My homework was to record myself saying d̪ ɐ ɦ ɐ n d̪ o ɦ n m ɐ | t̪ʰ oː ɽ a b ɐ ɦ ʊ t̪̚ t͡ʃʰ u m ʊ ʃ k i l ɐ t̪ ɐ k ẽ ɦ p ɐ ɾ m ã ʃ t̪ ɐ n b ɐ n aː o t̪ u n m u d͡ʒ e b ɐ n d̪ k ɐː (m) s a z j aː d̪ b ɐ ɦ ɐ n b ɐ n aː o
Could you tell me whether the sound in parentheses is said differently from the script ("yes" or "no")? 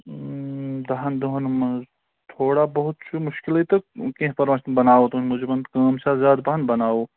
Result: no